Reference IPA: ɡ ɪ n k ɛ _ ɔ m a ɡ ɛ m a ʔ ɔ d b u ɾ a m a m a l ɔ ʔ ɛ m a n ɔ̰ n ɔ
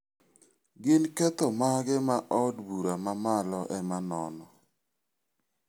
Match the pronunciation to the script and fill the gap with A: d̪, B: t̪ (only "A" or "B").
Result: B